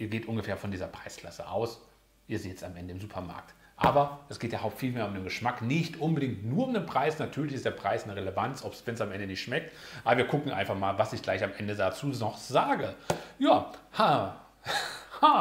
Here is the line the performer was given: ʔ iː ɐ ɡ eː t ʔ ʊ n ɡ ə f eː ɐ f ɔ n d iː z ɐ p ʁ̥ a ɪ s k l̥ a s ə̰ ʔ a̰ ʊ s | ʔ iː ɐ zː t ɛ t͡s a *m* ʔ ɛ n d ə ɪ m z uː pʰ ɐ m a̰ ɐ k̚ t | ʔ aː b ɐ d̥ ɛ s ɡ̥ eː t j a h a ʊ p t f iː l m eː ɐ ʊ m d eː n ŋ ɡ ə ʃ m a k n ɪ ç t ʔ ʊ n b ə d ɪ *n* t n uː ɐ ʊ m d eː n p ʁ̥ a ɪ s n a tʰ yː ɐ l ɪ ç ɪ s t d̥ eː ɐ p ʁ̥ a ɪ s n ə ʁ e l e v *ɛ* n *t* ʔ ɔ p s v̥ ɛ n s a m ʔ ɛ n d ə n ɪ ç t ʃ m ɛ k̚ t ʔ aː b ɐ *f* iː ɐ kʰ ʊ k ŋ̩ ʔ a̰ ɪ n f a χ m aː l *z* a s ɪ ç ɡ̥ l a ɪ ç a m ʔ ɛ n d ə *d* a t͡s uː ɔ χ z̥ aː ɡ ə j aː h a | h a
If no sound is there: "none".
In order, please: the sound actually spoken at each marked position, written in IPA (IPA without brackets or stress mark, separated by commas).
m, ŋ, a, t͡s, v, v, d